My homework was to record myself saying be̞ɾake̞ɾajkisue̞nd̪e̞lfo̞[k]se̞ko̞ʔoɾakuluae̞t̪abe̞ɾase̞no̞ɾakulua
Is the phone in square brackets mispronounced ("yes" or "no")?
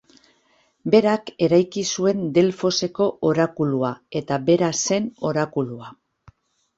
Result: yes